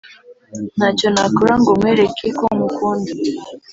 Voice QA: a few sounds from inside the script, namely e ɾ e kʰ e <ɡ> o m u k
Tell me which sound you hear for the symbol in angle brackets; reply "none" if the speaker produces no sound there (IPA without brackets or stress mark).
k